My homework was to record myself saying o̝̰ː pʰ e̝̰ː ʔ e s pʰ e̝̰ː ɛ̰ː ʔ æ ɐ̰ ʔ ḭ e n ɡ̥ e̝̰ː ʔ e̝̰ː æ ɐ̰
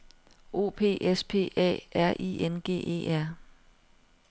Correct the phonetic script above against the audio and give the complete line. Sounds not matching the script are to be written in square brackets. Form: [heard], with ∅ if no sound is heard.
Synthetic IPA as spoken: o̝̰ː pʰ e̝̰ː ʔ e s pʰ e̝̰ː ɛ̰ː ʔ æ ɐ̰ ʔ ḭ e n ɡ̥ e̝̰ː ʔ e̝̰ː æ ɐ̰